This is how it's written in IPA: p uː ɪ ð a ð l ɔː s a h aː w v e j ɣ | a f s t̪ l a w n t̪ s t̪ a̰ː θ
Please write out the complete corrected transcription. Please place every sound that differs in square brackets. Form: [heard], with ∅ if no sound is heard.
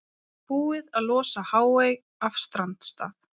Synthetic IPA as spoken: p uː ɪ ð a ð l ɔː s a h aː w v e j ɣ | a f s t̪ [ɾ] a [∅] n t̪ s t̪ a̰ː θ